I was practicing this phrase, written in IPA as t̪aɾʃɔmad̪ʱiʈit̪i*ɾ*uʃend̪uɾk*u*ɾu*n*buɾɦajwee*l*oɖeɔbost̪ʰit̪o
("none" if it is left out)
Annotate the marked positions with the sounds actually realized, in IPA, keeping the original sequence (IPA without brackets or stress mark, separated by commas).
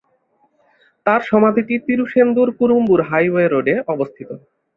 ɾ, u, m, ɾ